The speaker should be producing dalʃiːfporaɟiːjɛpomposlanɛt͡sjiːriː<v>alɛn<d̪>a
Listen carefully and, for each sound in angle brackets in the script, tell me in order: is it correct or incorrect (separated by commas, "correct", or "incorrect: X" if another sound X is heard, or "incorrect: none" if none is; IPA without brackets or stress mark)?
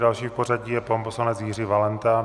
correct, incorrect: t̪